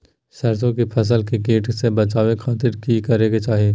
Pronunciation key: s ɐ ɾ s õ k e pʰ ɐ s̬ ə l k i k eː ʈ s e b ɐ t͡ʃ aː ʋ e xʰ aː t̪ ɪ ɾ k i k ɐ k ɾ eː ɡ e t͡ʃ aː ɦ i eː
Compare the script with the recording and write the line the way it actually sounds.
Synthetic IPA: s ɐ ɾ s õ k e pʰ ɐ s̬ ə l k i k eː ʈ s e b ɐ t͡ʃ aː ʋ e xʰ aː t̪ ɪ ɾ k i k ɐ ɾ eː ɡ e t͡ʃ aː ɦ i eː